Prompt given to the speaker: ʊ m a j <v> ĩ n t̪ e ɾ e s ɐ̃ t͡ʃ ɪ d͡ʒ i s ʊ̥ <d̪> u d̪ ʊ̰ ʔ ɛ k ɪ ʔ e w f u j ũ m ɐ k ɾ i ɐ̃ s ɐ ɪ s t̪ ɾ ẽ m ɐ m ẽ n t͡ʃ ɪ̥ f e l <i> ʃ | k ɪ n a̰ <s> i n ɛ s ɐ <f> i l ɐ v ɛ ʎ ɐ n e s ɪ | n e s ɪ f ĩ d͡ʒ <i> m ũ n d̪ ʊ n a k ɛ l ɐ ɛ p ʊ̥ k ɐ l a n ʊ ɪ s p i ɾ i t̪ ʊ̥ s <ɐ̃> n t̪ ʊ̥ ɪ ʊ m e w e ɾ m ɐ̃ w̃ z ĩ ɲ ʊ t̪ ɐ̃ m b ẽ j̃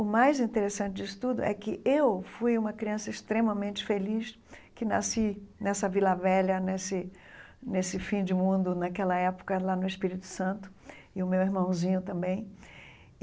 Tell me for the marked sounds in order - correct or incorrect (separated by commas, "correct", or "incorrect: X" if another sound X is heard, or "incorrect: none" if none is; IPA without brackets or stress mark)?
incorrect: z, incorrect: t̪, correct, correct, incorrect: v, incorrect: ɪ, correct